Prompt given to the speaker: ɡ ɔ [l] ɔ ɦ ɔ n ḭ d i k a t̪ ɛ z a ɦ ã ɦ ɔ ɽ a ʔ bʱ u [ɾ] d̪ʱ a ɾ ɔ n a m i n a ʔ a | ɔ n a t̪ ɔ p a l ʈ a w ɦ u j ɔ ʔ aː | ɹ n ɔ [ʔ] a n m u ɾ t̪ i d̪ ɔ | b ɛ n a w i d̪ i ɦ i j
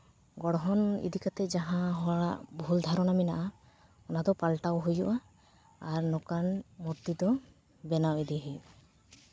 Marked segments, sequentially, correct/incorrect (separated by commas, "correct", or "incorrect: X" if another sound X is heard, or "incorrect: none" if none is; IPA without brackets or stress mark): incorrect: ɽ, incorrect: l, incorrect: k